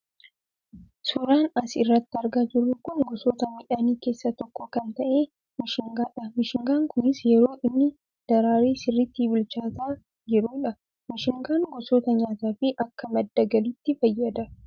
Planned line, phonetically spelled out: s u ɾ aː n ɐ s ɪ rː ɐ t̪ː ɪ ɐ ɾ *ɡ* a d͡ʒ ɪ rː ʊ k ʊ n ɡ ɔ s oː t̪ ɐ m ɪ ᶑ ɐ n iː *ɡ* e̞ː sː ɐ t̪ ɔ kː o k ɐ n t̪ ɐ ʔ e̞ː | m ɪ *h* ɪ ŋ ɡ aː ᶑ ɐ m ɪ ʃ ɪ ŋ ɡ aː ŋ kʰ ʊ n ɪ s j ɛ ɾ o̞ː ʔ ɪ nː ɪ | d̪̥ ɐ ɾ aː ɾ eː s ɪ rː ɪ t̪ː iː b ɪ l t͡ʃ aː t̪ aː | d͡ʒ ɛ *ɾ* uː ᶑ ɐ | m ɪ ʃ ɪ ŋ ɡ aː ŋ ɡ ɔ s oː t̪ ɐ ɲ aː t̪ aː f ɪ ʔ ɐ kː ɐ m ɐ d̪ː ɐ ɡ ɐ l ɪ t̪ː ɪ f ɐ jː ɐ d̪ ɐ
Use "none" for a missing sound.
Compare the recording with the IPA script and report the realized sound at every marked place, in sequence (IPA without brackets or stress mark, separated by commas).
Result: ɡ, k, ʃ, ɾ